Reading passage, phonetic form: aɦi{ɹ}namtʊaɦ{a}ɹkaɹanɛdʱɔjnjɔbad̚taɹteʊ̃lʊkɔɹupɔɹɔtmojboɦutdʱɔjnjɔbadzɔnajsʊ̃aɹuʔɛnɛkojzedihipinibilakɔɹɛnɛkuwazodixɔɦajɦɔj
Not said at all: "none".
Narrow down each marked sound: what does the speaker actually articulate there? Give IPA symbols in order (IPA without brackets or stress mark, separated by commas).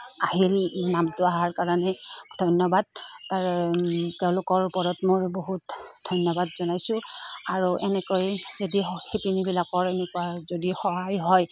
l, a